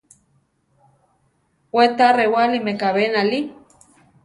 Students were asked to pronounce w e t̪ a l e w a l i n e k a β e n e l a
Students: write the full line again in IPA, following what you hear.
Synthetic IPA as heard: w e t̪ a r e w a l i m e k a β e n a l i